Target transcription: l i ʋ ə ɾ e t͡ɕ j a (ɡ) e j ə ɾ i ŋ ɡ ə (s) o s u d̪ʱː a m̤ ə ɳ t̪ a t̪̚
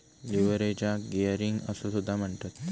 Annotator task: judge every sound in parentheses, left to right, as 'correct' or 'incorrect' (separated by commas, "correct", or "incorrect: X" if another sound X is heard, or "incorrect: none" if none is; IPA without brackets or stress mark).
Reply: correct, correct